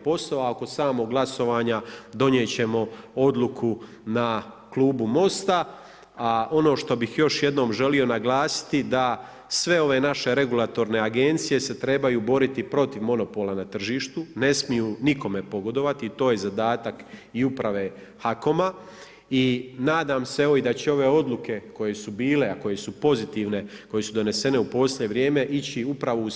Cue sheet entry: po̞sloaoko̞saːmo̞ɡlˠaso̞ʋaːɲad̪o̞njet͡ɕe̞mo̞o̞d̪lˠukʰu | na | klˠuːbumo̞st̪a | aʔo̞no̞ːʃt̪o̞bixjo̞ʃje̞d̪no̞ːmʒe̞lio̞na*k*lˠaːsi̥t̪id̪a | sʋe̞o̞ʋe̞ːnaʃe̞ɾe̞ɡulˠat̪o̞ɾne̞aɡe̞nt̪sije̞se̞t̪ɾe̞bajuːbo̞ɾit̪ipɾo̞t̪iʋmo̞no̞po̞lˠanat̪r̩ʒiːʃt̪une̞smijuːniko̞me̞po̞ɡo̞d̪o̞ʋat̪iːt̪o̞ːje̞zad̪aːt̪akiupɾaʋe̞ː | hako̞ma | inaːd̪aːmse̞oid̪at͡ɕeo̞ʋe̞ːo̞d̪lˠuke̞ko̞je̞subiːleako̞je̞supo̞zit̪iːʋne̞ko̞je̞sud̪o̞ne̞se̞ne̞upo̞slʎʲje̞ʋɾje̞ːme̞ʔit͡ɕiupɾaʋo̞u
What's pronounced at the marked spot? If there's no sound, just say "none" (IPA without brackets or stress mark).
ɡ